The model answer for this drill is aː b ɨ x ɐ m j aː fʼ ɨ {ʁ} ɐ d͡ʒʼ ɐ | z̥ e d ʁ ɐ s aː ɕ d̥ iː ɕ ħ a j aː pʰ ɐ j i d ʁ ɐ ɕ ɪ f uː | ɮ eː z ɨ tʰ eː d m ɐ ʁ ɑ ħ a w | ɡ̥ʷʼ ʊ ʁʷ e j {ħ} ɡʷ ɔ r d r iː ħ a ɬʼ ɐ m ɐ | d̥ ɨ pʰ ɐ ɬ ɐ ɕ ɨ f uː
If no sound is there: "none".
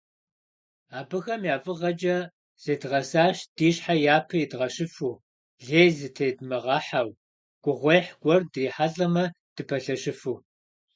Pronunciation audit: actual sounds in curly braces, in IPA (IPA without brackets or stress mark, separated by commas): ʁ, ħ